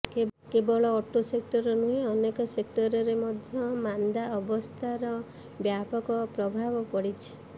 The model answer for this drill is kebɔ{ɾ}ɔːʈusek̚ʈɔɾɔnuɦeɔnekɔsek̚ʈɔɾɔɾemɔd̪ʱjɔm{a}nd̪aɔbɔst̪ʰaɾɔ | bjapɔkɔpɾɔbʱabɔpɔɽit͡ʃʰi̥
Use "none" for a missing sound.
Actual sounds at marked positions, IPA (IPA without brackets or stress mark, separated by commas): ɭ, a